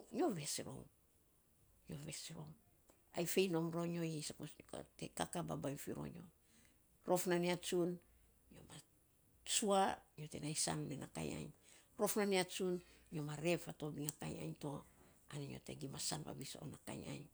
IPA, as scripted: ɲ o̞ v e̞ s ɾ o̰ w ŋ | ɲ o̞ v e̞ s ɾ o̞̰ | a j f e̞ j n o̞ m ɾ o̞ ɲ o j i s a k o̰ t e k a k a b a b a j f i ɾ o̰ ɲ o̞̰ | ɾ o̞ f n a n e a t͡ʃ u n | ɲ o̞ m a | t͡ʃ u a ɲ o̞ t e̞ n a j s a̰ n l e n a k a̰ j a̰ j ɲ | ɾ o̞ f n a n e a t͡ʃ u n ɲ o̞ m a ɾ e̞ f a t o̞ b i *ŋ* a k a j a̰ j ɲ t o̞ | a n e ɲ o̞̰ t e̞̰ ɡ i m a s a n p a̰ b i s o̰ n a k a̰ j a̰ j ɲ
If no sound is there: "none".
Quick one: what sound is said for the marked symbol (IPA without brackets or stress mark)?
ŋ